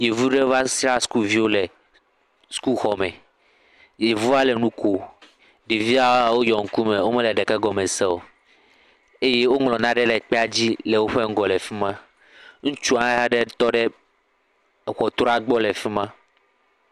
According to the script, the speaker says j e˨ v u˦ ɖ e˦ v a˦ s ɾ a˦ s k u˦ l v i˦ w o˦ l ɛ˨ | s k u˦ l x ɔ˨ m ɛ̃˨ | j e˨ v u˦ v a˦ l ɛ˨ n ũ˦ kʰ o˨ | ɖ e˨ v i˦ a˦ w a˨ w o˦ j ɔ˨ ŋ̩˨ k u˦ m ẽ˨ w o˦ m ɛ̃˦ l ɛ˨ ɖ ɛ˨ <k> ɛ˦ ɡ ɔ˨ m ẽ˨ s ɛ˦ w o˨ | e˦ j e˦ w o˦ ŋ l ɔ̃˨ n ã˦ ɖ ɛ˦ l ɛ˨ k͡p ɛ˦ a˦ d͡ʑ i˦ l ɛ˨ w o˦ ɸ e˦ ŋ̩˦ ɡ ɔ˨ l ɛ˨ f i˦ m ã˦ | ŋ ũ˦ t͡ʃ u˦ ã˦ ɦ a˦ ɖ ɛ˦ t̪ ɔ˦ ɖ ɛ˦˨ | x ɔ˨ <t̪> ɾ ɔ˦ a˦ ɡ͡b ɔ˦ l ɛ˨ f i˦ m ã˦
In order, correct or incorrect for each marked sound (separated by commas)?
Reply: correct, correct